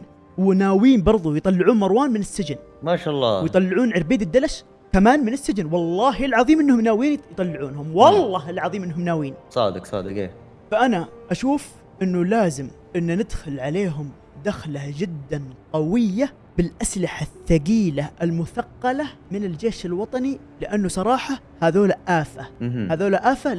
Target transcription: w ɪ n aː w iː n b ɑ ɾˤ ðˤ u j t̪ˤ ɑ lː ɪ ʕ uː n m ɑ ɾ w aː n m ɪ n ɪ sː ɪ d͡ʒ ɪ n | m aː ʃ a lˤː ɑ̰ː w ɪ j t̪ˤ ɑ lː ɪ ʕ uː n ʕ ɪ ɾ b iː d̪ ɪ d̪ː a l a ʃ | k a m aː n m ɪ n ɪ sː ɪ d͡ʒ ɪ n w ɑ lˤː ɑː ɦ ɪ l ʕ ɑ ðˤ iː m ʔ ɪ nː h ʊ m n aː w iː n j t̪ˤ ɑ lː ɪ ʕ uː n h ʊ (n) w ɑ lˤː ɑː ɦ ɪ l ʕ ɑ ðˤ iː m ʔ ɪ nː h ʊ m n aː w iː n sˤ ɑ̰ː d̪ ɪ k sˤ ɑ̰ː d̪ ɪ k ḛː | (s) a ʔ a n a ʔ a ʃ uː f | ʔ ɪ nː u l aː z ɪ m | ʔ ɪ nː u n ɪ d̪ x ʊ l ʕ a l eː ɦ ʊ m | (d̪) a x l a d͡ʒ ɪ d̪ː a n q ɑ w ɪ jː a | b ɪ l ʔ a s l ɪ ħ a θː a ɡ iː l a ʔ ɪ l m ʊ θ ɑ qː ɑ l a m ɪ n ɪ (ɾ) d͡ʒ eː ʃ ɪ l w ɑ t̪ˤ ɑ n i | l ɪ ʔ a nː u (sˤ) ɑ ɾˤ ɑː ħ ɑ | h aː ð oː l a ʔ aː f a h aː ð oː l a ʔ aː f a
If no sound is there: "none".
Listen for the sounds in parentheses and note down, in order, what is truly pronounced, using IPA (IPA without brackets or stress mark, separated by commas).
m, f, d̪, l, sˤ